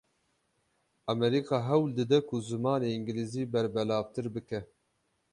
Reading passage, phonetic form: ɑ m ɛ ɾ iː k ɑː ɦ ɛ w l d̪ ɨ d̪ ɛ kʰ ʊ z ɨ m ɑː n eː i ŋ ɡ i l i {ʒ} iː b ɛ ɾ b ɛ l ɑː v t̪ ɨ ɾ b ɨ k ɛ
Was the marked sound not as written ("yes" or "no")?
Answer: yes